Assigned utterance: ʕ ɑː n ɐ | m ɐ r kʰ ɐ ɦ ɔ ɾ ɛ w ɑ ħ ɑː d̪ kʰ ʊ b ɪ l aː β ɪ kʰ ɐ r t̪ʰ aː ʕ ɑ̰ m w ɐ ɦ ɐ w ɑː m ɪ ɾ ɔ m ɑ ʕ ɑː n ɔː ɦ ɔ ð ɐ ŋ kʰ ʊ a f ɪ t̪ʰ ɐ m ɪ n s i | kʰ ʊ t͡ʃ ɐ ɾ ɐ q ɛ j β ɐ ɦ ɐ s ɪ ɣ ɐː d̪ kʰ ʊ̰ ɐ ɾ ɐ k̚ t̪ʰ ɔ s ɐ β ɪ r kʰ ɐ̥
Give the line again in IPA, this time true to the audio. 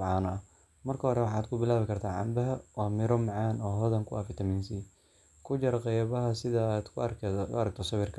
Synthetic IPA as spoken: ʕ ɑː n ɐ | m ɐ r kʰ ɐ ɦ ɔ ɾ ɛ w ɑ ħ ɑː d̪ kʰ ʊ b ɪ l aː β ɪ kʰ ɐ r t̪ʰ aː ʕ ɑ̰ m b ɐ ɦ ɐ w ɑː m ɪ ɾ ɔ m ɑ ʕ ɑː n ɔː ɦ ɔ ð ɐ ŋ kʰ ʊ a f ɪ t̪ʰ ɐ m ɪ n s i | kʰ ʊ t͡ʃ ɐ ɾ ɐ q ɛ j β ɐ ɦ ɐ s ɪ ð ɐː d̪ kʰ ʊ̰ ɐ ɾ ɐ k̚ t̪ʰ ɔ s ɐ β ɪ r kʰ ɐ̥